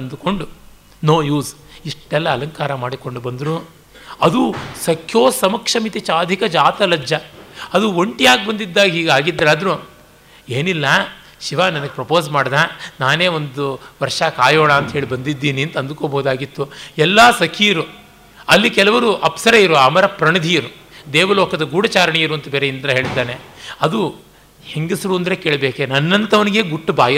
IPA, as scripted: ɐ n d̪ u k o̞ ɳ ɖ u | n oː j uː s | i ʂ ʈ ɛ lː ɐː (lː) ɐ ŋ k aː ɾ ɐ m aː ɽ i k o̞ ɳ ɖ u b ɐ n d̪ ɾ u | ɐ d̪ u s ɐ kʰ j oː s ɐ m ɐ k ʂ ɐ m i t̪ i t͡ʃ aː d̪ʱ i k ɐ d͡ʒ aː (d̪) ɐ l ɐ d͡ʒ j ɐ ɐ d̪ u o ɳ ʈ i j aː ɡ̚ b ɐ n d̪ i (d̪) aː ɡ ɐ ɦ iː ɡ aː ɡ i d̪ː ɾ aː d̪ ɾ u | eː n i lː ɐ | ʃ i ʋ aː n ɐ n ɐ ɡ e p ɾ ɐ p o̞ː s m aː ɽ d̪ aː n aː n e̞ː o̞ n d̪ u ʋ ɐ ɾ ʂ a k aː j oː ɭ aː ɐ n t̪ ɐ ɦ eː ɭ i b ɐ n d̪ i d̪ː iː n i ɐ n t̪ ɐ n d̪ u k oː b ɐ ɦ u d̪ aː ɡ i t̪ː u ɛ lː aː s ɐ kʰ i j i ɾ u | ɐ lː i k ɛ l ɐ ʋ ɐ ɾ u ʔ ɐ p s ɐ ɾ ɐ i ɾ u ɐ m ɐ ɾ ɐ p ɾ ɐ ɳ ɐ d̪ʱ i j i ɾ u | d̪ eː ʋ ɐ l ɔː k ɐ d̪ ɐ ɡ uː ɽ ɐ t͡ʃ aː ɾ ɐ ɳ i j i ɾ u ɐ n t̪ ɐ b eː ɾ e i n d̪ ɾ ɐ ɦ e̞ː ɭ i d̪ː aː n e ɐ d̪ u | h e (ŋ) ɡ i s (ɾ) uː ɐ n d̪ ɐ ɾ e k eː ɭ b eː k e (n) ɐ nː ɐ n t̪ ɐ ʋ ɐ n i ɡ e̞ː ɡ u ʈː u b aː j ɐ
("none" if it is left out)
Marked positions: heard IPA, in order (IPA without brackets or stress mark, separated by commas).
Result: l, t̪, d̪ː, ŋ, ɾ, n